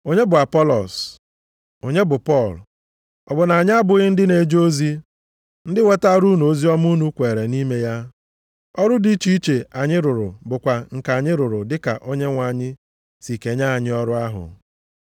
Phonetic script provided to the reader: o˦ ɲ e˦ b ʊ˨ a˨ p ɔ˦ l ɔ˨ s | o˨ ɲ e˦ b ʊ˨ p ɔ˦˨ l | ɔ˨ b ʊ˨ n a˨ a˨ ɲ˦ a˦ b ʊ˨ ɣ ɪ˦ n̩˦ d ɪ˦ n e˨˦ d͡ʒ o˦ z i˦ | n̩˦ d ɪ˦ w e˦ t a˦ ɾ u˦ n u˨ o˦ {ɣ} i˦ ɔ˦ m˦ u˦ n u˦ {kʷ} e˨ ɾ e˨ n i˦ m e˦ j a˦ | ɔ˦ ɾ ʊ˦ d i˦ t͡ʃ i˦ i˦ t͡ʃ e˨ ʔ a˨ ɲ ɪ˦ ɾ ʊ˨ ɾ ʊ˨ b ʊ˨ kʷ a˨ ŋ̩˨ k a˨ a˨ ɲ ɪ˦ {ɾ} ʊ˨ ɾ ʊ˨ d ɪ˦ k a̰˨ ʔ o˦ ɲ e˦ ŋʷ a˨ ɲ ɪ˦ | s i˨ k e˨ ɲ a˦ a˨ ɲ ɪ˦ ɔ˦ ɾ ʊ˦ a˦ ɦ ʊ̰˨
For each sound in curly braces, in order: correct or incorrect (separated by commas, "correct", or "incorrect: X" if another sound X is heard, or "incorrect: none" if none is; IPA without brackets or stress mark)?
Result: incorrect: z, correct, correct